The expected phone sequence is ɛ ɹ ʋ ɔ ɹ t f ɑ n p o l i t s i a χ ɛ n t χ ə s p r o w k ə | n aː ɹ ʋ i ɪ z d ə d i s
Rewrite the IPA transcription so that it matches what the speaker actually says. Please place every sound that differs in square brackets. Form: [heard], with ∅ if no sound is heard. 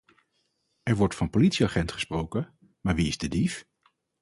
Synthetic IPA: ɛ ɹ ʋ ɔ ɹ t f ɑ n p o l i t s i a χ ɛ n t χ ə s p r o w k ə | [m] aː ɹ ʋ i ɪ z d ə d i [f]